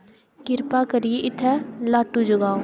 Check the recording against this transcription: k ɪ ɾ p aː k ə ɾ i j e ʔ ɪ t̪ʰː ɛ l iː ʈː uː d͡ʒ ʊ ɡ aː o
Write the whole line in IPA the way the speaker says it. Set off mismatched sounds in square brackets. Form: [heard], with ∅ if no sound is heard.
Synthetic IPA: k ɪ ɾ p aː k ə ɾ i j e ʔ ɪ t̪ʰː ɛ l [aː] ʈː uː d͡ʒ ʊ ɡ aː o